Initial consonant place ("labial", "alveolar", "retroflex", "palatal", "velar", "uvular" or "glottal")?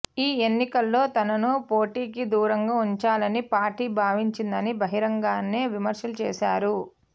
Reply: alveolar